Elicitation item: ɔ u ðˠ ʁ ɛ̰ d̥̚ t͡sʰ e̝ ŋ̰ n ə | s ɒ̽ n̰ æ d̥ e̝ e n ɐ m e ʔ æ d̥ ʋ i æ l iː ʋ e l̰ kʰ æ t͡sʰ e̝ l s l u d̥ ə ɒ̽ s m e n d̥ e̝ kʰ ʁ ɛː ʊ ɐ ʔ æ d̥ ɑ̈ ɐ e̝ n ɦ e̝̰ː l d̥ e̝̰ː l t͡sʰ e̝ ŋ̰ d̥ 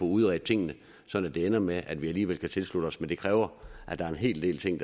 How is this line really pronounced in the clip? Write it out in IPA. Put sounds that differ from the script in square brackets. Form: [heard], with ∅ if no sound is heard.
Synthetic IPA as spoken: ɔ u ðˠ ʁ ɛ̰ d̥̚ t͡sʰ e̝ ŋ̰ n ə | s ɒ̽ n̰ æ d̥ e̝ e n ɐ m e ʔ æ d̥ ʋ i æ l iː ʋ e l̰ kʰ æ t͡sʰ e̝ l s l u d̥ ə ɒ̽ s m e n d̥ e̝ kʰ ʁ ɛː ʊ ɐ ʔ æ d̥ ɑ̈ ɐ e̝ n ɦ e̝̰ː l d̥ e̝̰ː l t͡sʰ e̝ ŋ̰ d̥